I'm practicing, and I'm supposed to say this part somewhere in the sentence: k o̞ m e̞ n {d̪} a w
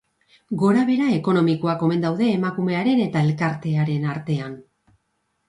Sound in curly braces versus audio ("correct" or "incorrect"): correct